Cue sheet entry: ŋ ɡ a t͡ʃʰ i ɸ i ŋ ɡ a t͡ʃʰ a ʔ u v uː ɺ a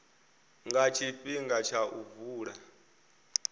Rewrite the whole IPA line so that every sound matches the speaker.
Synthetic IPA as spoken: ŋ ɡ a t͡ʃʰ i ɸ i ŋ ɡ a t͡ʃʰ a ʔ u v uː ɺ a